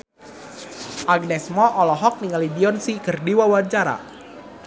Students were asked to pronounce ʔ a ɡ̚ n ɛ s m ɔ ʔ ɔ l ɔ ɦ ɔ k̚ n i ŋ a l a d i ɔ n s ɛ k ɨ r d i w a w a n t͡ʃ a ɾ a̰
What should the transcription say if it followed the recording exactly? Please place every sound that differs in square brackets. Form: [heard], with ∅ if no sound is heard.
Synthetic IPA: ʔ a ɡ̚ n ɛ s m ɔ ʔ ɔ l ɔ ɦ ɔ k̚ n i ŋ a l [i] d i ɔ n s [i] k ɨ r d i w a w a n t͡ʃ a ɾ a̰